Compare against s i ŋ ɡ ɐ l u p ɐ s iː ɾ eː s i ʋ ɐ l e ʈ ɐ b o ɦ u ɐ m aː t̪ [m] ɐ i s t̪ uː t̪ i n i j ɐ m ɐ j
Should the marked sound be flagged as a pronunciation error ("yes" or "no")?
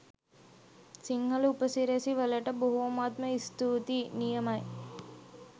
no